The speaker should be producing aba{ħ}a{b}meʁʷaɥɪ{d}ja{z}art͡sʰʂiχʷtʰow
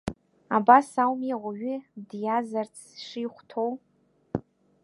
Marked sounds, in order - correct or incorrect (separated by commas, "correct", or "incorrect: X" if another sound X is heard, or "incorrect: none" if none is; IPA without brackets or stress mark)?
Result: incorrect: s, incorrect: w, correct, correct